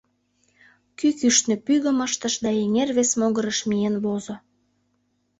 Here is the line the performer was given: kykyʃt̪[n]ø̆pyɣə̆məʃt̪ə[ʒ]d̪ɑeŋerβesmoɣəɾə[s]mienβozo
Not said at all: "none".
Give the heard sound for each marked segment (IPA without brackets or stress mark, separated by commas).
n, ʃ, ʃ